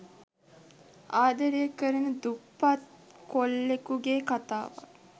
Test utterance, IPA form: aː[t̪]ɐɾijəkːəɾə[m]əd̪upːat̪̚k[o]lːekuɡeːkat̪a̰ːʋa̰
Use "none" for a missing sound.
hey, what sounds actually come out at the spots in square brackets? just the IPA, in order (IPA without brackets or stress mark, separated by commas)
d̪, n, o